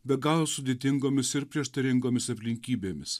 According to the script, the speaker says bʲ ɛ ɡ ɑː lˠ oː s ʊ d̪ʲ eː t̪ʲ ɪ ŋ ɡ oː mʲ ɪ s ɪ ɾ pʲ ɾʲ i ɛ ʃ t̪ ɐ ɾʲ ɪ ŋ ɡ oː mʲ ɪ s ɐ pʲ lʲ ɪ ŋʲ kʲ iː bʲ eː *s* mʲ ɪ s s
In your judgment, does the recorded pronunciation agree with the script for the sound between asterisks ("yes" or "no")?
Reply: no